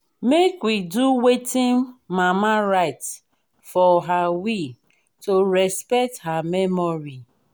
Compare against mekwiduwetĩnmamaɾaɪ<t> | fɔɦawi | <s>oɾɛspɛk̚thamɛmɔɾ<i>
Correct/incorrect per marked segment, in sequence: correct, incorrect, correct

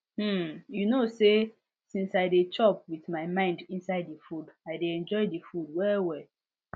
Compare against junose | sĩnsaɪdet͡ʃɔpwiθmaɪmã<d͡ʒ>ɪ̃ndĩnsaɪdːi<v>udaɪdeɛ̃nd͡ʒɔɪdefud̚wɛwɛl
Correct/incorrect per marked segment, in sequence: incorrect, incorrect

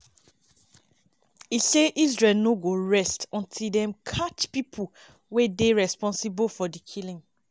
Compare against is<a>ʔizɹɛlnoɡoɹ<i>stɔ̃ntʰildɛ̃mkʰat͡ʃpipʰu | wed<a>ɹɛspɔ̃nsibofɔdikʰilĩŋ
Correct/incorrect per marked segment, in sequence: incorrect, incorrect, incorrect

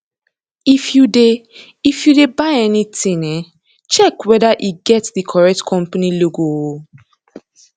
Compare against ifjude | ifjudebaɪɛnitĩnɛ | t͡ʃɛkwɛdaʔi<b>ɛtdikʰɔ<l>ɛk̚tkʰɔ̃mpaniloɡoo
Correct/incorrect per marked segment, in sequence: incorrect, incorrect

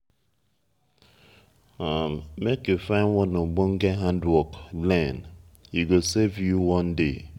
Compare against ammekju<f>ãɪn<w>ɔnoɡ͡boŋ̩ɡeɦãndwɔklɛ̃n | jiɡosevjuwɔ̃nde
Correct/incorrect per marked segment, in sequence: correct, correct

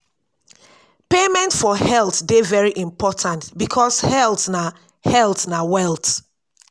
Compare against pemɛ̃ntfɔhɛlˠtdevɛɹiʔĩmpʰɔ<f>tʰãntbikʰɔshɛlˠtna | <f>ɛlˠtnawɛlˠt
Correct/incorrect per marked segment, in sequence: incorrect, incorrect

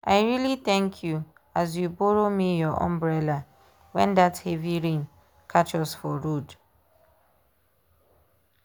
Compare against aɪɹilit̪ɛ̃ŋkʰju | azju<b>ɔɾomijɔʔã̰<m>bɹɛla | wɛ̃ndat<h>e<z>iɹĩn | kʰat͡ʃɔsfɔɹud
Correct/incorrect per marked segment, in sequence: correct, correct, correct, incorrect

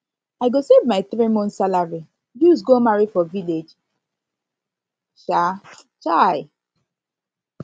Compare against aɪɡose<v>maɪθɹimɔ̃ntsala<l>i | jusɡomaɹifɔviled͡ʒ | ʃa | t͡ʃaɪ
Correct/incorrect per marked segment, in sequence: correct, incorrect

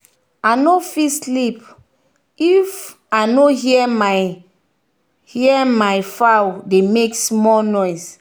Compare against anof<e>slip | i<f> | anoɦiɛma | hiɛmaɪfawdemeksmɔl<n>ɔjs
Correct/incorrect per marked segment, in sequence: incorrect, correct, correct

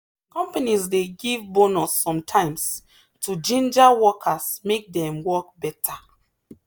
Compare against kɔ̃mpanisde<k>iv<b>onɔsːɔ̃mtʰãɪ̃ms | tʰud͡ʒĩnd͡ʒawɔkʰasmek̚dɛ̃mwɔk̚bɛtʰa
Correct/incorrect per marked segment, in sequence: incorrect, correct

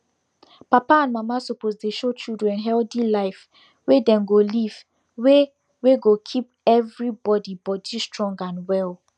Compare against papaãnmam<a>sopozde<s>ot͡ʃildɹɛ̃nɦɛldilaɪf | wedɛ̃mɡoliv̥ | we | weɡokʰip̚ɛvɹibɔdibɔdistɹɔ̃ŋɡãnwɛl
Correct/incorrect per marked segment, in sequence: correct, incorrect

